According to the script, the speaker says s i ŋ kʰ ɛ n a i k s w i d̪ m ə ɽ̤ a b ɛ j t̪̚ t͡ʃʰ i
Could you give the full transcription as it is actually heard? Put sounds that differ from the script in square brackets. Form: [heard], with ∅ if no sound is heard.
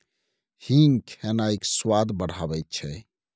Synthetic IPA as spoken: [h] i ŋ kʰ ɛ n a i k s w [a] d̪ [b] ə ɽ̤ a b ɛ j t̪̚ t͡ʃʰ [ɛ]